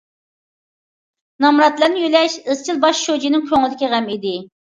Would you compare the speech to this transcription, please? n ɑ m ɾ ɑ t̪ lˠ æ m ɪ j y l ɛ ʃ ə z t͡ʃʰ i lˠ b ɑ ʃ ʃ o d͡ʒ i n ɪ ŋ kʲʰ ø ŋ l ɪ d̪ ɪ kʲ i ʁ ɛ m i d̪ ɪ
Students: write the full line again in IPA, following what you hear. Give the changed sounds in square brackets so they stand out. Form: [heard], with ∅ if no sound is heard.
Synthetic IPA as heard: n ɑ m ɾ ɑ t̪ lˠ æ [n] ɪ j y l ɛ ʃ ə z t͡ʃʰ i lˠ b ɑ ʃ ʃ o d͡ʒ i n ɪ ŋ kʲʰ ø ŋ l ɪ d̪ ɪ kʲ i ʁ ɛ m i d̪ ɪ